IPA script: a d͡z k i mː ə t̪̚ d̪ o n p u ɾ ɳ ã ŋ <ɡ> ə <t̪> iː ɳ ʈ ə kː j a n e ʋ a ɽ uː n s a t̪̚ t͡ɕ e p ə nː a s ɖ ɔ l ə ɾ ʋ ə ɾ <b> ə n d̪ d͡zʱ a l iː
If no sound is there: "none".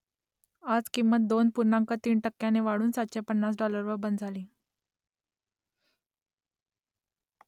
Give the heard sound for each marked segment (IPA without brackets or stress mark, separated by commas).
k, t̪, b